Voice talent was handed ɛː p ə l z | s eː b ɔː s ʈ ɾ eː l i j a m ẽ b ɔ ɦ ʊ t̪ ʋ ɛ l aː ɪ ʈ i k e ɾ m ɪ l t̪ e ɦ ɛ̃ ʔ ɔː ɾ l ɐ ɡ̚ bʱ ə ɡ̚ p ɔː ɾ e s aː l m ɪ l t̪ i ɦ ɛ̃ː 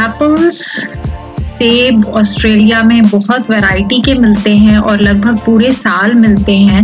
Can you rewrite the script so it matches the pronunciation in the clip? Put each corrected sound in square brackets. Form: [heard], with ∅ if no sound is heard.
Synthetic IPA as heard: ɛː p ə l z | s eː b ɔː s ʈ ɾ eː l i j a m ẽ b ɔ ɦ ʊ t̪ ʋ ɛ [ɾ] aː ɪ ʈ i k e [∅] m ɪ l t̪ e ɦ ɛ̃ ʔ ɔː ɾ l ɐ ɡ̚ bʱ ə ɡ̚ p [uː] ɾ e s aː l m ɪ l t̪ [e] ɦ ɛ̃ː